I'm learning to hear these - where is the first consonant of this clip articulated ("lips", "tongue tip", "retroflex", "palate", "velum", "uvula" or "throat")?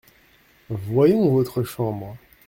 lips